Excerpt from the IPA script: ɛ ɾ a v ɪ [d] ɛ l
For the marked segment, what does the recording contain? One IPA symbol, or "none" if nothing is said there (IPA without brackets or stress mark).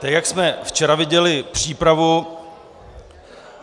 ɟ